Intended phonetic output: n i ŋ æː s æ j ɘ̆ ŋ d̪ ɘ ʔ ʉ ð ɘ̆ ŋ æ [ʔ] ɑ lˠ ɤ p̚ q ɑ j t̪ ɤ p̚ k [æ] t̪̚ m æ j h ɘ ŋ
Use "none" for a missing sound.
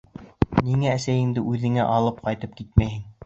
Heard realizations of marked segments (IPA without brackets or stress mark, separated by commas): ʔ, i